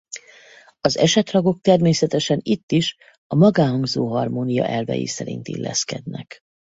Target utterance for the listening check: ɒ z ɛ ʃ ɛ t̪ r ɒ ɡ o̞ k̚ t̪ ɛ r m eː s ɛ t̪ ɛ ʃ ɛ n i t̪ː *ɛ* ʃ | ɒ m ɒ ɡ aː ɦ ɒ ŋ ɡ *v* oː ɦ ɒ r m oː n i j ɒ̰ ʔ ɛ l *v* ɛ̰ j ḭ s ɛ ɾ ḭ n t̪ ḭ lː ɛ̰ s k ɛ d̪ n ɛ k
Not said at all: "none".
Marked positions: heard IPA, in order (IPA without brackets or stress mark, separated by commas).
i, z, v